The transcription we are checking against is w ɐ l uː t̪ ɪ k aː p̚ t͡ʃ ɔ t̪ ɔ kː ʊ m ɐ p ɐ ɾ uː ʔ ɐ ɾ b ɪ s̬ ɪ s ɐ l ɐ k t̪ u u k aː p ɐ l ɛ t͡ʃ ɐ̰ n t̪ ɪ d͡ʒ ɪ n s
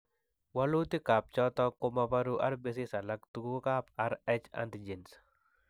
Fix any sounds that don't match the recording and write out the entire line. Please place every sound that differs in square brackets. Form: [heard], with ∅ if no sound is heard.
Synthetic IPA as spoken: w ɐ l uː t̪ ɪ k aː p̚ t͡ʃ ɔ t̪ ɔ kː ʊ m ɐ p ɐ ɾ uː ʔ ɐ ɾ b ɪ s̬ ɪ s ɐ l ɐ k t̪ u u k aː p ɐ [ɾ] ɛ t͡ʃ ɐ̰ n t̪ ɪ d͡ʒ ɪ n s